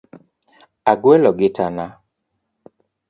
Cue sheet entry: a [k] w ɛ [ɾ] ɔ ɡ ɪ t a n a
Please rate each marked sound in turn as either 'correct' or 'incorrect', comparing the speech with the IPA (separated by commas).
incorrect, incorrect